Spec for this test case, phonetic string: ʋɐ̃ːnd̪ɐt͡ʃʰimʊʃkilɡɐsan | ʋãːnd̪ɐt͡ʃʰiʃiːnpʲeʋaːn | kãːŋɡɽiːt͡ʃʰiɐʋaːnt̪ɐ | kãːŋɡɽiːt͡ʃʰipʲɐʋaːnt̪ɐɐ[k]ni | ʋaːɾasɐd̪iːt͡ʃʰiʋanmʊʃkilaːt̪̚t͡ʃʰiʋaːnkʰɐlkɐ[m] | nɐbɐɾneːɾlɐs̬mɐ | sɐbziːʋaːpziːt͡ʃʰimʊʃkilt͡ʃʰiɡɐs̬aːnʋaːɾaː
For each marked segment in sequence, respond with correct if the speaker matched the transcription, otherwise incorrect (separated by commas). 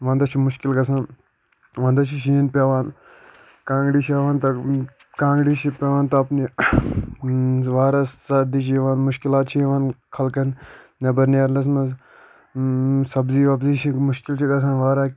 incorrect, incorrect